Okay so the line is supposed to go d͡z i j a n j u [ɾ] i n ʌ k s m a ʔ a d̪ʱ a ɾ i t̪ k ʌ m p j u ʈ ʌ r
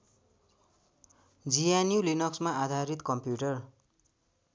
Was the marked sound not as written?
yes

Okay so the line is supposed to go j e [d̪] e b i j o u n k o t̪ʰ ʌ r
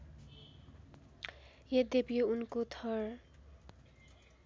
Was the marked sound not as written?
no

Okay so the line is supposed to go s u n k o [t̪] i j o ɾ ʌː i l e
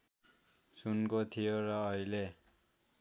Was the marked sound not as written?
yes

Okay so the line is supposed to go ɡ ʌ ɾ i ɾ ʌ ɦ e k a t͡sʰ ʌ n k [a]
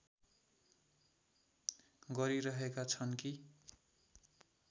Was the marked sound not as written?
yes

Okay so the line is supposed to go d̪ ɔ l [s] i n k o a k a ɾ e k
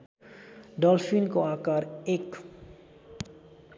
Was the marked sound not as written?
yes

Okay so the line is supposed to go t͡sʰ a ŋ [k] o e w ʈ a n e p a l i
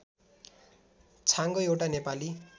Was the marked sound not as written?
yes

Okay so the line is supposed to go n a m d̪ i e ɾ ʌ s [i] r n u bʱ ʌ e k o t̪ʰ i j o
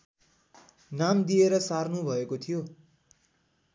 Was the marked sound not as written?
yes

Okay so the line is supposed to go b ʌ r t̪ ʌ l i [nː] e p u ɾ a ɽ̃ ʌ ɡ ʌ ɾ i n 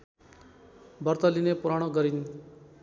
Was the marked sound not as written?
yes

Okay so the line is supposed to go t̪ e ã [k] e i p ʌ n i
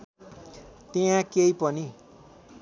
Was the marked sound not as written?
no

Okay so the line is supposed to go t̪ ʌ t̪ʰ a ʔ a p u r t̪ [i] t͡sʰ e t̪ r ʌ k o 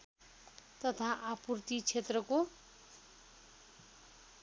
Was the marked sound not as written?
no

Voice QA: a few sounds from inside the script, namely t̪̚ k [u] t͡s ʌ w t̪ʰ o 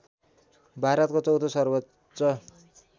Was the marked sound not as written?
yes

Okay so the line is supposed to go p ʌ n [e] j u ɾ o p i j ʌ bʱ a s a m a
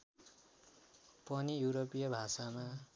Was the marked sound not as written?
yes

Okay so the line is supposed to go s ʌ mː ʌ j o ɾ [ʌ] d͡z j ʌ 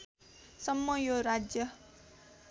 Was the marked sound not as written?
yes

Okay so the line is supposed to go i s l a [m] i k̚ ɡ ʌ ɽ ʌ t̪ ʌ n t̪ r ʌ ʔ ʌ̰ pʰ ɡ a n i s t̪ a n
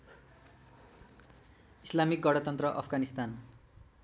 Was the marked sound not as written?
no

